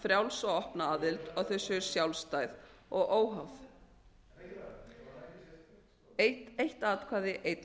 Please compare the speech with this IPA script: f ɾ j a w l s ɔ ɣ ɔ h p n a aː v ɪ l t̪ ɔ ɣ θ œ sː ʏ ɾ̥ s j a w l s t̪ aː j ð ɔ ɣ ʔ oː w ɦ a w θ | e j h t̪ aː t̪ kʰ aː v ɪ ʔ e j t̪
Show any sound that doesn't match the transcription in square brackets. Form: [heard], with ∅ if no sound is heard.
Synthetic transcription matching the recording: f ɾ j a w l s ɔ ɣ ɔ h p n a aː [ð] ɪ l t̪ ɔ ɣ θ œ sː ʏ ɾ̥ s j a w l s t̪ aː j ð ɔ ɣ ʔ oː w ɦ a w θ | e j h t̪ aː t̪ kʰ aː [ð] ɪ ʔ e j t̪